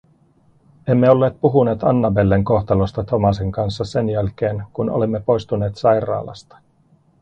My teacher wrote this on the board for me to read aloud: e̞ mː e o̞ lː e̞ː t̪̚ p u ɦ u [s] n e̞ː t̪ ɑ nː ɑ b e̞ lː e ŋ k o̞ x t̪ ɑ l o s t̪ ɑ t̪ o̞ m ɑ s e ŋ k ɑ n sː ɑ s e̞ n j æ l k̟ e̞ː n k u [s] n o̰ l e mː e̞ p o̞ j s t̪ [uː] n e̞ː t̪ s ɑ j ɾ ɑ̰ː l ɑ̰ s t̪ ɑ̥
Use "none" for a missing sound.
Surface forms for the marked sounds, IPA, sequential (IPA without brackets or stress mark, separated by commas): none, none, u